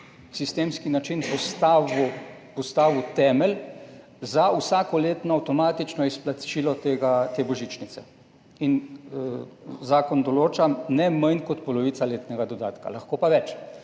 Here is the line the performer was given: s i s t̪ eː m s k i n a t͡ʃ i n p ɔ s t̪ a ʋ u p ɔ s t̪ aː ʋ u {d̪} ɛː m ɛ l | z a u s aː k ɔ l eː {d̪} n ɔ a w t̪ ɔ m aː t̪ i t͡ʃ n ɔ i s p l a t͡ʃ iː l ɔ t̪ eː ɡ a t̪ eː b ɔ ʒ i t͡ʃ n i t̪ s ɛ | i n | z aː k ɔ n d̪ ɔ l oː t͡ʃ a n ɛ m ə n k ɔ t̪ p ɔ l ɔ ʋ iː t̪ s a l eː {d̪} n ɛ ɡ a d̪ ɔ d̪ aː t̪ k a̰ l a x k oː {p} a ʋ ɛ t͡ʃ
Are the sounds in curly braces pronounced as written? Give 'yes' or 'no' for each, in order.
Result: no, no, no, yes

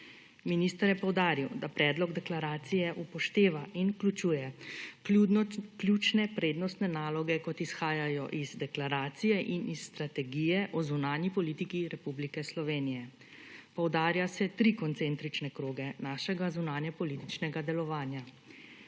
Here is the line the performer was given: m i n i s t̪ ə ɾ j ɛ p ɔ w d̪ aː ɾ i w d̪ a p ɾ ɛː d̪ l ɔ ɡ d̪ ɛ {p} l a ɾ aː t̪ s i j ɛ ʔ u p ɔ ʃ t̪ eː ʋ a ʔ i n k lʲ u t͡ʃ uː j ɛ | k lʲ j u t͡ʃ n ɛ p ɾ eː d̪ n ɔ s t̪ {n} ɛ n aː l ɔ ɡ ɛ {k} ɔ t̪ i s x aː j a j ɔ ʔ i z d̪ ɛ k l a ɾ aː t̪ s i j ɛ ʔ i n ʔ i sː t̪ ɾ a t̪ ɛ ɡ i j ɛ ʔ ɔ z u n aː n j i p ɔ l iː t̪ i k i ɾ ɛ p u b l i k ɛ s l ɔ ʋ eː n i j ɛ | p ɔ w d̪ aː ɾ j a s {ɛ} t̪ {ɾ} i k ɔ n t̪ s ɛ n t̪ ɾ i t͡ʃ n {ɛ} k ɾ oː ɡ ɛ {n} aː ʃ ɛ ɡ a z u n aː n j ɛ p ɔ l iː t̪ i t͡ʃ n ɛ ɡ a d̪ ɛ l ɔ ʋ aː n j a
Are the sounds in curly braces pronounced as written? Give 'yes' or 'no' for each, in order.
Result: no, yes, yes, yes, yes, yes, yes

